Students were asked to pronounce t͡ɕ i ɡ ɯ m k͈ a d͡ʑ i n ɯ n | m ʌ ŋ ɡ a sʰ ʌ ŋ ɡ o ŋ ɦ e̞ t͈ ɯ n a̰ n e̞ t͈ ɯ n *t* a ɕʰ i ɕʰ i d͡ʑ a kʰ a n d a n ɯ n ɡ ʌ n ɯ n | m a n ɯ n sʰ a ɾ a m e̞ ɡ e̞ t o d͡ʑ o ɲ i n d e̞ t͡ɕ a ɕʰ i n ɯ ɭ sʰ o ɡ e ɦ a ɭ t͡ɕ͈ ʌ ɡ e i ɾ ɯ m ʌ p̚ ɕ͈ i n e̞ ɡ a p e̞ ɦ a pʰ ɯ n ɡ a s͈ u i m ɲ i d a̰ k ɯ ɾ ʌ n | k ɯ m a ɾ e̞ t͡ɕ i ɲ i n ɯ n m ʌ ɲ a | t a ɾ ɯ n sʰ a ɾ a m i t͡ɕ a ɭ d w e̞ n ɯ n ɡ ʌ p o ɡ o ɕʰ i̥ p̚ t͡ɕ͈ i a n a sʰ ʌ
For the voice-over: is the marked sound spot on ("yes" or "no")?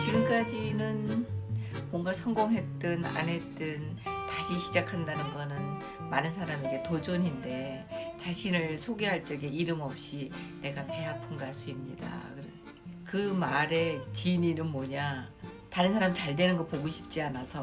yes